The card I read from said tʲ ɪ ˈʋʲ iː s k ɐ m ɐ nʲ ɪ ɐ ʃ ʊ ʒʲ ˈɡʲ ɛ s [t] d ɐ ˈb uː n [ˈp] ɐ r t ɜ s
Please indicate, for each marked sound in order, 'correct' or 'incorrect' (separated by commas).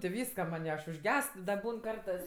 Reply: correct, incorrect